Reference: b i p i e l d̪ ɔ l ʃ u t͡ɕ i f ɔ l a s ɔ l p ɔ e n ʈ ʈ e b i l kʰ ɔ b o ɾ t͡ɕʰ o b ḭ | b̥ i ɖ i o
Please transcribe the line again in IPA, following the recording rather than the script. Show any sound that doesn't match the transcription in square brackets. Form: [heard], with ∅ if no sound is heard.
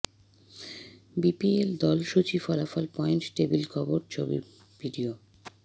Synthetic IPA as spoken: b i p i e l d̪ ɔ l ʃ u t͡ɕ i f ɔ l a [f] ɔ l p ɔ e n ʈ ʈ e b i l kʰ ɔ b o ɾ t͡ɕʰ o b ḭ | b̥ i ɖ i o